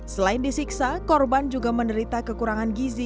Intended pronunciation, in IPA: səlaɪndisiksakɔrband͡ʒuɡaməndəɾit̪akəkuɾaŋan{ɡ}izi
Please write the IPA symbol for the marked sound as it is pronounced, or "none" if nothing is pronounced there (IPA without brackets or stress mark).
ɡ